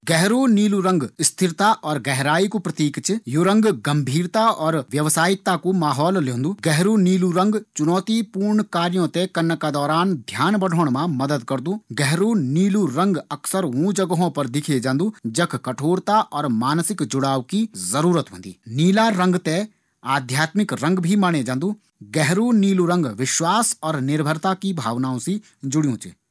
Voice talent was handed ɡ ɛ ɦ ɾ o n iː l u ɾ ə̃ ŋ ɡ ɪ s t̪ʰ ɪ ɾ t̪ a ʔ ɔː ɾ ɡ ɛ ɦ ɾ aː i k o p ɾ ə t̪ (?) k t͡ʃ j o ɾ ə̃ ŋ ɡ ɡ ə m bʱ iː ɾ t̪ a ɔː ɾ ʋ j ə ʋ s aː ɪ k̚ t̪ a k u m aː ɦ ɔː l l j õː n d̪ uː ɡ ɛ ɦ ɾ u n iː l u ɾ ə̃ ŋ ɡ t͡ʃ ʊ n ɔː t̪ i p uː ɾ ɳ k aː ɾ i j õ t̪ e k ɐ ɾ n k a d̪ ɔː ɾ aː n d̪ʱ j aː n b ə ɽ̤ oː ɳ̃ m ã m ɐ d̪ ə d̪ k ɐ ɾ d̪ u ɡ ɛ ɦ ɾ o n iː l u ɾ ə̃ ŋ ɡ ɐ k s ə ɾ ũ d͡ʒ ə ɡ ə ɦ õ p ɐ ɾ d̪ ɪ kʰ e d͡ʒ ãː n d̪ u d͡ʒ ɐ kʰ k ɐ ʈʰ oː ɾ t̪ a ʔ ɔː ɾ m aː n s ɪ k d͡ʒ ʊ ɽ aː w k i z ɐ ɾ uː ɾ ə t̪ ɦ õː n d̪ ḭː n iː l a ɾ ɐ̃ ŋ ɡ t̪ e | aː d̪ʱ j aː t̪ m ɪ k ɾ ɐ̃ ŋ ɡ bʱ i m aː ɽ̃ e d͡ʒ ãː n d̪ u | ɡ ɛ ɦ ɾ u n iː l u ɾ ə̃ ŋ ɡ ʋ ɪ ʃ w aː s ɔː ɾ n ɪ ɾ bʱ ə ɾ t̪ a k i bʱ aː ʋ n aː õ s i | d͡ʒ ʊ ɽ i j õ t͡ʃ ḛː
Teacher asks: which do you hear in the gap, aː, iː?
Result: iː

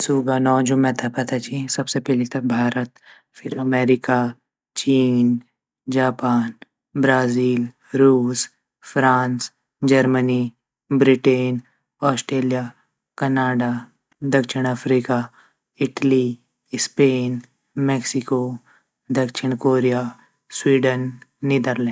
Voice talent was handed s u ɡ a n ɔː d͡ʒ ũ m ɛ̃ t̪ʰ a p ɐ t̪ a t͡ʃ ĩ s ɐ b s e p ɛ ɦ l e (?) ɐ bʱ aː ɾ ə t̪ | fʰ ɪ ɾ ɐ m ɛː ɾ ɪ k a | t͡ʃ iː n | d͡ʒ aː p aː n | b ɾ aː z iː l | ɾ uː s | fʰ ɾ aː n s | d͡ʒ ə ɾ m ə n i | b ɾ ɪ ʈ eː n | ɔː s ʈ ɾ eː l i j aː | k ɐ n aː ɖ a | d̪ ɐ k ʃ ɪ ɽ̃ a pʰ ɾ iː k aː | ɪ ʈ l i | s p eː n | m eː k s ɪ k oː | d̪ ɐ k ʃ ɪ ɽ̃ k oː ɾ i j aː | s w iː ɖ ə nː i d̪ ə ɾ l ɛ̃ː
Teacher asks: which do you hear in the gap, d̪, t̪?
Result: t̪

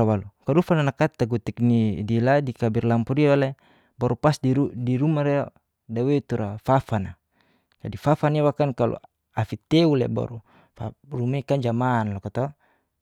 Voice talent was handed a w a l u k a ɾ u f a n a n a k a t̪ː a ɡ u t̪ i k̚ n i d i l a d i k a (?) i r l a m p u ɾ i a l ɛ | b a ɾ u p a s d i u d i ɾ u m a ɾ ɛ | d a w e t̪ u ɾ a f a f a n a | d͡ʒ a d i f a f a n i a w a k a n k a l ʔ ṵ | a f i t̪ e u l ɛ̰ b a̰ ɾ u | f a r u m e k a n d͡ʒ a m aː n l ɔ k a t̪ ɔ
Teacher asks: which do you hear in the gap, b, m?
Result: b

